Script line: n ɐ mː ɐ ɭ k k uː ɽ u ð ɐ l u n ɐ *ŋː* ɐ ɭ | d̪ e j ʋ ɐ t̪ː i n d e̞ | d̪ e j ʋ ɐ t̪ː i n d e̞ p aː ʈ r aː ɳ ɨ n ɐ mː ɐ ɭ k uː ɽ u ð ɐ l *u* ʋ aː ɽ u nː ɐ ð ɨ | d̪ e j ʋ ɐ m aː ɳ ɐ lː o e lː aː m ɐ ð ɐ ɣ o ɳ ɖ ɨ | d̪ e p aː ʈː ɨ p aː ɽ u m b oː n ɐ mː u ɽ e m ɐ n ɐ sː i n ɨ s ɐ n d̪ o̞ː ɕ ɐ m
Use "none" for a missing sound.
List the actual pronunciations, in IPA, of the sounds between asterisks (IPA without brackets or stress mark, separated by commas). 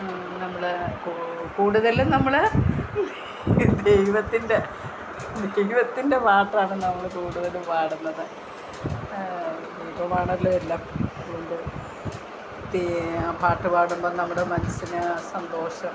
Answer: mː, u